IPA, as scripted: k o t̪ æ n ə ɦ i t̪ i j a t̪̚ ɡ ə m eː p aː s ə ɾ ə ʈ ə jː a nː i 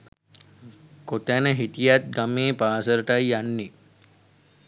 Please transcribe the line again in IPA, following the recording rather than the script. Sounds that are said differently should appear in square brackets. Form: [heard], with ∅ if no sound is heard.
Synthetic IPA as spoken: k o t̪ æ n ə ɦ i t̪ i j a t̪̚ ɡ [a] m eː p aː s ə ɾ ə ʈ [a] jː a nː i

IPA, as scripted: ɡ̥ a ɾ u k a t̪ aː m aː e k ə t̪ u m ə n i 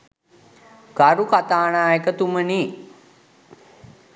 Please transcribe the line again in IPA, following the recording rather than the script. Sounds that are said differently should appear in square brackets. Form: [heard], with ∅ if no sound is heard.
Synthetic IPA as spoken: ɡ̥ a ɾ u k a t̪ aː [n] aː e k ə t̪ u m ə n i

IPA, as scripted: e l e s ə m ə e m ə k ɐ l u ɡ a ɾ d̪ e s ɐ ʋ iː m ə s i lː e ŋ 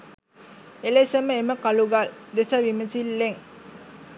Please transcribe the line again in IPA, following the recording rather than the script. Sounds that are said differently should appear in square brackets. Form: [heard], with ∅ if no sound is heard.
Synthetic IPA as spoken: e l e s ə m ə e m ə k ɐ l u ɡ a [l] d̪ e s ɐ ʋ [i] m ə s i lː e ŋ

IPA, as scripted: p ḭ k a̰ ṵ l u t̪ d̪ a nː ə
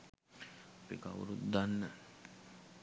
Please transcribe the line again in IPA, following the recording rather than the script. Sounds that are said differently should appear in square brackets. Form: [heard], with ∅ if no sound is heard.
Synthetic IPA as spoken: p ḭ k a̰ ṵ [ɾ] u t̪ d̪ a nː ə

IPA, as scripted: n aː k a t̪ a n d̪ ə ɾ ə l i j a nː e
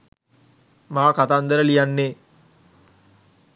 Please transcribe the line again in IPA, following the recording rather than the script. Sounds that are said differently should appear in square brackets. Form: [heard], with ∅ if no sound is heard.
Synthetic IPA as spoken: [m] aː k a t̪ a n d̪ ə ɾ ə l i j a nː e

